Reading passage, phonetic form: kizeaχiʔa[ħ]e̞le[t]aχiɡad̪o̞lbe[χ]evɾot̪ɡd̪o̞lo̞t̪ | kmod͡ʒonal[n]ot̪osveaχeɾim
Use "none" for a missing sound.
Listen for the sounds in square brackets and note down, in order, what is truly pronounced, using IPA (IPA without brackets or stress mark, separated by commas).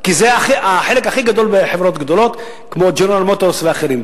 ħ, k, ħ, m